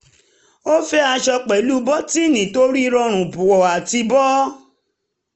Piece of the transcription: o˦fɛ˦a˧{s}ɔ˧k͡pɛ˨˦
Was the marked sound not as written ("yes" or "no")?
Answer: yes